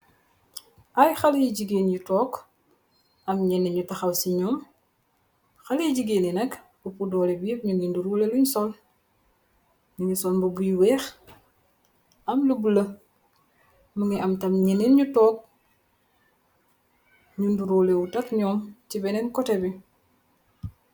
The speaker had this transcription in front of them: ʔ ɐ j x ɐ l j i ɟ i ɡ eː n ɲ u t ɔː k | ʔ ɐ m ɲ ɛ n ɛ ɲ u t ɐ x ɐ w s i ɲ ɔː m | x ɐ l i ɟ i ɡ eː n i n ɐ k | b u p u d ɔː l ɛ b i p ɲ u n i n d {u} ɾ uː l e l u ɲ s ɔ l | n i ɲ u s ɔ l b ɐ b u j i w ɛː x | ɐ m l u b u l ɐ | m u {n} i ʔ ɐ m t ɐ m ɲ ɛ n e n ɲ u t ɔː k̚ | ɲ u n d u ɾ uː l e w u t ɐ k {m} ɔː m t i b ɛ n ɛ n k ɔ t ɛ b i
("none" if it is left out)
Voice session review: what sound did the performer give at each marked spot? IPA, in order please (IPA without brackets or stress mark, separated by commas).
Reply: u, ŋ, ɲ